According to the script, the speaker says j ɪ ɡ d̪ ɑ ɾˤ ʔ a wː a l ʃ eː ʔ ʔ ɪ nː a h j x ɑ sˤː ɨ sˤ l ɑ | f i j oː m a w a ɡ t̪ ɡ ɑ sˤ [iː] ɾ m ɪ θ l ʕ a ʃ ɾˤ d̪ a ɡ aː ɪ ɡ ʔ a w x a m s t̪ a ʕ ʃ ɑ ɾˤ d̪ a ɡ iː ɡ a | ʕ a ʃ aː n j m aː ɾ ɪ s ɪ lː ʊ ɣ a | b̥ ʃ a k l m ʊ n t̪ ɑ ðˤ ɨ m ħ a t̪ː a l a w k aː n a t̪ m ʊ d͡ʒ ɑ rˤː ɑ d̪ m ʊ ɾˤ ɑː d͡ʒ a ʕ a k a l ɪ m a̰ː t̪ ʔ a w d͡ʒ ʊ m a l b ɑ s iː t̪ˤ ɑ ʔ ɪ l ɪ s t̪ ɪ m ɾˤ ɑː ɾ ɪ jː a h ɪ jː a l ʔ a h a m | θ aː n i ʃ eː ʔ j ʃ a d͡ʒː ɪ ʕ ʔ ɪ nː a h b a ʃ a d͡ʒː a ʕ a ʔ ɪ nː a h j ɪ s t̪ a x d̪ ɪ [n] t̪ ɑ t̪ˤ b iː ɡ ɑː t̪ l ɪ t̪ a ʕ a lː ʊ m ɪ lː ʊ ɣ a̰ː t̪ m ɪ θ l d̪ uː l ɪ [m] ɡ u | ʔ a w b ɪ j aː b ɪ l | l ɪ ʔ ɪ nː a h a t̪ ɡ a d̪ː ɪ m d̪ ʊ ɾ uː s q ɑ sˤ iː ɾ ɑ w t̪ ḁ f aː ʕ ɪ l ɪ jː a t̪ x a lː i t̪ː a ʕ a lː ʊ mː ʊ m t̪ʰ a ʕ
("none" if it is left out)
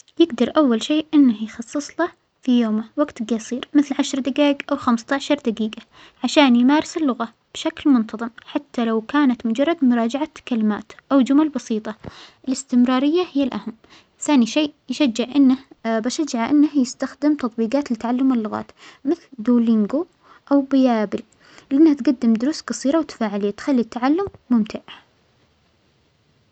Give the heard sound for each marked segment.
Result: iː, m, ŋ

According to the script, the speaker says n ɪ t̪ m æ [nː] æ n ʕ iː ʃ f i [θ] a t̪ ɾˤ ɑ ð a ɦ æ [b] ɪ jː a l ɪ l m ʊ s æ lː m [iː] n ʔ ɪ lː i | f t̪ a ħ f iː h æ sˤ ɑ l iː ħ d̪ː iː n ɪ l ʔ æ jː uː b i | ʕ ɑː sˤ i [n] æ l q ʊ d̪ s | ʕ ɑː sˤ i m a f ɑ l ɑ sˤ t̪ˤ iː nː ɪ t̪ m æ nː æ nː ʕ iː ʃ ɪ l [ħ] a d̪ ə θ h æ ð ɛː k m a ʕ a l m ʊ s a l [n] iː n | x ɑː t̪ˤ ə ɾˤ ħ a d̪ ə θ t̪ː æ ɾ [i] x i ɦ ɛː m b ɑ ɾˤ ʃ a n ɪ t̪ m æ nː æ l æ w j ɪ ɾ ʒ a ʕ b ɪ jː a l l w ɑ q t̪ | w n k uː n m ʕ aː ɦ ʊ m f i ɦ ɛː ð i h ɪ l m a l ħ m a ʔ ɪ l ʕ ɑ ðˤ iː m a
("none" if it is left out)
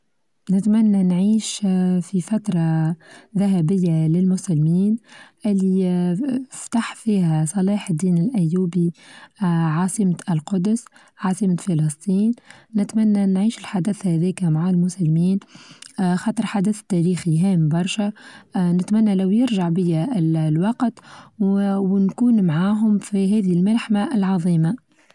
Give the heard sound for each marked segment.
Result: nː, f, b, iː, m, ħ, m, iː

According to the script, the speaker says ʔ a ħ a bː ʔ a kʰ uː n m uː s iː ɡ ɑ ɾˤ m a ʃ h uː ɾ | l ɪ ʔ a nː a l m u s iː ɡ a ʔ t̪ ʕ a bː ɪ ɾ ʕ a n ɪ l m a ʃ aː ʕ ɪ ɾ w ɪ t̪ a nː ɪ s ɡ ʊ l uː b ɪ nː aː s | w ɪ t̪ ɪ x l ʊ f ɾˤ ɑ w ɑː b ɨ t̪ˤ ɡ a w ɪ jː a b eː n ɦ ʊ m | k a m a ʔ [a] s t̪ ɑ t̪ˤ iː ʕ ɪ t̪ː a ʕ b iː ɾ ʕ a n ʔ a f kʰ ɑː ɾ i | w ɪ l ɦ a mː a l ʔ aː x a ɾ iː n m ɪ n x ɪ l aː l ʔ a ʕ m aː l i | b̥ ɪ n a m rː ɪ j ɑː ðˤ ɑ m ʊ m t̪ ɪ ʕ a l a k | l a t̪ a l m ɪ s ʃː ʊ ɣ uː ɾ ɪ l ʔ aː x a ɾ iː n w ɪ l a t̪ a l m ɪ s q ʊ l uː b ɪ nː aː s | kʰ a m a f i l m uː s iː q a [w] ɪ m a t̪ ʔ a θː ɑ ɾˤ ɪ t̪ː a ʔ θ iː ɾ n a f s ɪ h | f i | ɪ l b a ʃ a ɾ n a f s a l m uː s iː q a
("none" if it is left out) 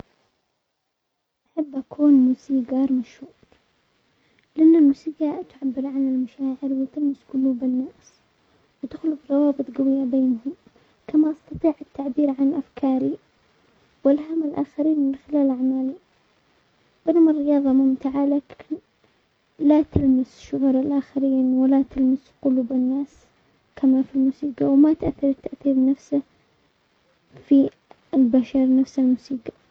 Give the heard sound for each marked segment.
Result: ɑ, w

